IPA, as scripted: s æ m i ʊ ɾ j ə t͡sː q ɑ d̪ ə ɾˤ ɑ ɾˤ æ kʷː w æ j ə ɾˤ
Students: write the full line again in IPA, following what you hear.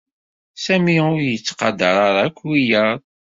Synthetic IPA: s æ m i ʊ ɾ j ə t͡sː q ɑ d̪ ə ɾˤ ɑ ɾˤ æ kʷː w i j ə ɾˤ

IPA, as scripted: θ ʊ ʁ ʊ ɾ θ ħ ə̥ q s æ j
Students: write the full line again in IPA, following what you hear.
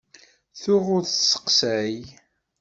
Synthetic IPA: θ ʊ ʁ ʊ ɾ θ s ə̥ q s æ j

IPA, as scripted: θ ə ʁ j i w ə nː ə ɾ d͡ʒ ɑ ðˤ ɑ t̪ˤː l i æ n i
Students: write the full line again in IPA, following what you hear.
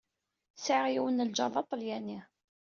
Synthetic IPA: s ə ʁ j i w ə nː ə l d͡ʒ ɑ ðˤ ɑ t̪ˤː l j æ n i

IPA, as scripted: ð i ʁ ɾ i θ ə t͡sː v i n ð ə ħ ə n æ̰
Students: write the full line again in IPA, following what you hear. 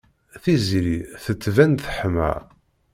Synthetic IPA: θ i z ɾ i θ ə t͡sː v æ n θ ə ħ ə m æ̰

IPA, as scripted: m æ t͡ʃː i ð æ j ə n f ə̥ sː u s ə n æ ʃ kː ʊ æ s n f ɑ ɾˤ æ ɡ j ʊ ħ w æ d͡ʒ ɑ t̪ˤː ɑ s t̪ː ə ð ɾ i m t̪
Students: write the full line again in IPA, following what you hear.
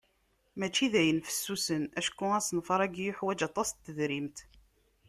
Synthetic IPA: m æ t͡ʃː i ð æ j ə n f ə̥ sː u s ə n æ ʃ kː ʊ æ s n f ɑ ɾˤ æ ɡ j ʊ ħ w æ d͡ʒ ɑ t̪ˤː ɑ s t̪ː ə ð ɾ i m t̪

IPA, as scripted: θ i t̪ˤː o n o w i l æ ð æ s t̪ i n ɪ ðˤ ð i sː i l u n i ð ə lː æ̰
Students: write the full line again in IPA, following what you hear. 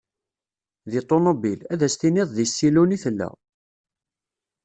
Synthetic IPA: ð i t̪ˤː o n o b i l æ ð æ s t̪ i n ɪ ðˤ ð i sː i l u n i θ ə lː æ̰

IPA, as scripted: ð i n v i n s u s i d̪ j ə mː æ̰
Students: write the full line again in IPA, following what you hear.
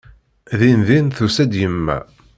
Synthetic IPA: ð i n ð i n θ u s æ d̪ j ə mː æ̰

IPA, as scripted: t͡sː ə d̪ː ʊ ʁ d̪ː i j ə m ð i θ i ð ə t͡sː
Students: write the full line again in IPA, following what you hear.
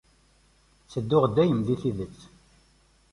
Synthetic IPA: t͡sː ə d̪ː ʊ ʁ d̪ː æ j ə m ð i θ i ð ə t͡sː

